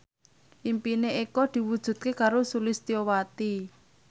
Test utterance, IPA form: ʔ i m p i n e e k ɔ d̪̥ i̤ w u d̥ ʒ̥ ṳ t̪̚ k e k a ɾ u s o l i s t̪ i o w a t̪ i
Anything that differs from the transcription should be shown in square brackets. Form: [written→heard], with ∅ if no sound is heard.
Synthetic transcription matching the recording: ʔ i m p i n e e k ɔ d̪̥ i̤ w u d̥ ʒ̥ ṳ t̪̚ k e k a ɾ [u→o] s [o→u] l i s t̪ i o w a t̪ i